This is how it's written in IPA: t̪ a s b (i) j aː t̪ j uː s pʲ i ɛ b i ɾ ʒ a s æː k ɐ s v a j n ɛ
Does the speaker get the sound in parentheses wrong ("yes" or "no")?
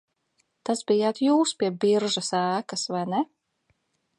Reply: no